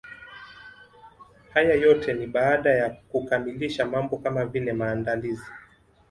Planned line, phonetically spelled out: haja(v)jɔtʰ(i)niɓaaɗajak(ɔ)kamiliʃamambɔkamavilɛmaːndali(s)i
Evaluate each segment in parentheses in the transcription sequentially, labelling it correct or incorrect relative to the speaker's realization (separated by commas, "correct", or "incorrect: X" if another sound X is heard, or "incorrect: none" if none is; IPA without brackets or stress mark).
incorrect: none, incorrect: ɛ, incorrect: u, incorrect: z